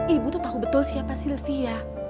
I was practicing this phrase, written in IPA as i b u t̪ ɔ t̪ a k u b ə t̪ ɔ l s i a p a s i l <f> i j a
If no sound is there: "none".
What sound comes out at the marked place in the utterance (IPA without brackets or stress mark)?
f